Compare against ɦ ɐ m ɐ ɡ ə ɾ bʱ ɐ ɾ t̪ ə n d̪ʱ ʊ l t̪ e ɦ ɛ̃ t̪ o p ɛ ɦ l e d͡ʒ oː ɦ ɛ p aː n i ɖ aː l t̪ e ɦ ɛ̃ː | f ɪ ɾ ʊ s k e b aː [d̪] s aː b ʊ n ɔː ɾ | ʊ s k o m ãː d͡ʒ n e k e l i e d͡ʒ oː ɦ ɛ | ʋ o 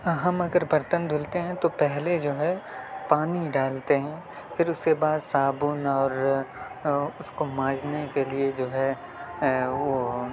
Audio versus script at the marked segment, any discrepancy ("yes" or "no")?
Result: no